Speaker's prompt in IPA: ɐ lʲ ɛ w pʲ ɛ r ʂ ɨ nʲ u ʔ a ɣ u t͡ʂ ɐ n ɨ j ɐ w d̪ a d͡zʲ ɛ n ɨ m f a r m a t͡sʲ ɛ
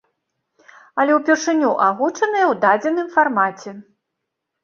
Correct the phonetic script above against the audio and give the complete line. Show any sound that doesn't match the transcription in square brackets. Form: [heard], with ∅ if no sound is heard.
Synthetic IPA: ɐ lʲ ɛ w pʲ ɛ r ʂ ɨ nʲ u ʔ a ɣ u t͡ʂ ɐ n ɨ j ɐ w d̪ a d͡zʲ ɛ n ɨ m f a r m a t͡sʲ ɛ

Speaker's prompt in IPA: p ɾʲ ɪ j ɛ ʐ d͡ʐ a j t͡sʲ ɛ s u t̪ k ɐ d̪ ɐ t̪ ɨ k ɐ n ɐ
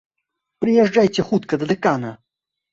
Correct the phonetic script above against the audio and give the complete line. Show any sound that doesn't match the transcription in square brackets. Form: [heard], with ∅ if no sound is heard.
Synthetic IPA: p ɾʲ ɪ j ɛ ʐ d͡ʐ a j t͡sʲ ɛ [x] u t̪ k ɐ d̪ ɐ [d̪] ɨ k [a] n ɐ

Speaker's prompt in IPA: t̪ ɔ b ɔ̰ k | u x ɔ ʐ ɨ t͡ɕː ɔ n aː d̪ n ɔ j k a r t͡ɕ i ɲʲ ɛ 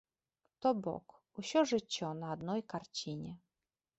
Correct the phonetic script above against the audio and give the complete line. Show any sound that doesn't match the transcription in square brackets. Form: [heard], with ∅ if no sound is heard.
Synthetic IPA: t̪ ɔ b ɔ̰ k | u [ɕ] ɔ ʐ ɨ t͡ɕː ɔ n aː d̪ n ɔ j k a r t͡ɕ i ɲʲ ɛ

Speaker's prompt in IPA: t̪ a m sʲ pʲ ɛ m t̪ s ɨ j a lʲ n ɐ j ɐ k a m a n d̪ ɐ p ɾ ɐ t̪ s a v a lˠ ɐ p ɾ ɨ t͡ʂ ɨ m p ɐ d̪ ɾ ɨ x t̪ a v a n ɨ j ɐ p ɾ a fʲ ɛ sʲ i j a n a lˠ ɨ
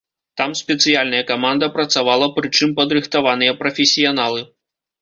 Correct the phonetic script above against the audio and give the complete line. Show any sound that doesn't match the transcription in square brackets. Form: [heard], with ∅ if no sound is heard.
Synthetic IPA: t̪ a m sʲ pʲ ɛ [∅] t̪ s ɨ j a lʲ n ɐ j ɐ k a m a n d̪ ɐ p ɾ ɐ t̪ s a v a lˠ ɐ p ɾ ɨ t͡ʂ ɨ m p ɐ d̪ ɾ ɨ x t̪ a v a n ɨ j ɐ p ɾ [ɐ] fʲ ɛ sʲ i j a n a lˠ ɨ

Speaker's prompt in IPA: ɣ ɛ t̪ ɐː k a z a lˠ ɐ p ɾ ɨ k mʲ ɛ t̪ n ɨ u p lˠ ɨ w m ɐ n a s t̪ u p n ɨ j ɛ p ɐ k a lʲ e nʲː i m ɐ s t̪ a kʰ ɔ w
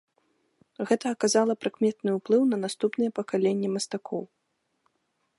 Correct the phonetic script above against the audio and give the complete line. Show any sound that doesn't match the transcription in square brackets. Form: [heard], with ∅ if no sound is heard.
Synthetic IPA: ɣ ɛ t̪ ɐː k a z a lˠ ɐ p ɾ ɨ k mʲ ɛ t̪ n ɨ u p lˠ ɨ w [n] ɐ n a s t̪ u p n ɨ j ɛ p ɐ k a lʲ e nʲː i m ɐ s t̪ a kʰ ɔ w

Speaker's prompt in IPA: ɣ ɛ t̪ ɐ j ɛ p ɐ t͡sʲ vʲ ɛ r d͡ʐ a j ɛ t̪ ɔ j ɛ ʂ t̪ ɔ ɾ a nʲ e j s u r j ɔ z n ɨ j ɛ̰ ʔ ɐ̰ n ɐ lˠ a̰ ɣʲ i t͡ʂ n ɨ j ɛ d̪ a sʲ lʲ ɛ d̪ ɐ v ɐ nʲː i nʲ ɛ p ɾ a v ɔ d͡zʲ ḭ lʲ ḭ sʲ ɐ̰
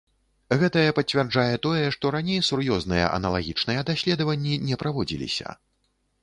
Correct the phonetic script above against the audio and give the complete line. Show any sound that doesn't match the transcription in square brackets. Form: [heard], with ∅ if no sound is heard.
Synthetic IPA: ɣ ɛ t̪ ɐ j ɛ p ɐ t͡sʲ vʲ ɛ r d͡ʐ a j ɛ t̪ ɔ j ɛ ʂ t̪ ɔ ɾ a nʲ e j s u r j ɔ z n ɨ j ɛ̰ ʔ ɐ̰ n ɐ lˠ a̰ ɣʲ i t͡ʂ n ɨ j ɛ d̪ a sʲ lʲ ɛ d̪ ɐ v ɐ nʲː i nʲ ɛ p ɾ a v ɔ d͡zʲ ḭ lʲ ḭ sʲ ɐ̰

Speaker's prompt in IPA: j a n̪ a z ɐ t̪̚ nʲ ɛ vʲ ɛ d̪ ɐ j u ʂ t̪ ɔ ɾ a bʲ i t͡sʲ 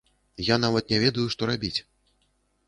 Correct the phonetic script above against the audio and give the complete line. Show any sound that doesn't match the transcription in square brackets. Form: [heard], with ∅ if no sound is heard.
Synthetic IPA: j a n̪ a [v] ɐ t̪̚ nʲ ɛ vʲ ɛ d̪ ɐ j u ʂ t̪ ɔ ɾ a bʲ i t͡sʲ

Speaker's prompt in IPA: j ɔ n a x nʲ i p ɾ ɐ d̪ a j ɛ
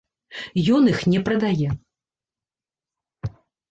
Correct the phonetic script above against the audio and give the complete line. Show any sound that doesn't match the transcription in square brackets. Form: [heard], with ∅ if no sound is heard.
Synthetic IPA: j ɔ n [i] x nʲ [ɛ] p ɾ ɐ d̪ a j ɛ

